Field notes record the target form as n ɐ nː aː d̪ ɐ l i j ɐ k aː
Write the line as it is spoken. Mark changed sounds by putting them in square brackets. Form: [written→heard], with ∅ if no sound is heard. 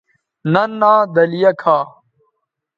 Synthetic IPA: n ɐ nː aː d̪ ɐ l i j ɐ [k→kʰ] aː